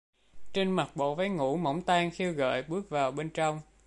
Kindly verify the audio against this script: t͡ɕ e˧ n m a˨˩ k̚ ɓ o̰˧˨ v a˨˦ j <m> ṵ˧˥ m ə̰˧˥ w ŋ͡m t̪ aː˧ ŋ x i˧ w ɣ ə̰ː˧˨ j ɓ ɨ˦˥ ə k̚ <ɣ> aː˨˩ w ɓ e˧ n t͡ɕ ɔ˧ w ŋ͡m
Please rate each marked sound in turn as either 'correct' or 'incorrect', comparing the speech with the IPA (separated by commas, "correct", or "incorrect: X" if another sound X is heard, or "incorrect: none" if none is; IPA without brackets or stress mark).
incorrect: ŋ, incorrect: v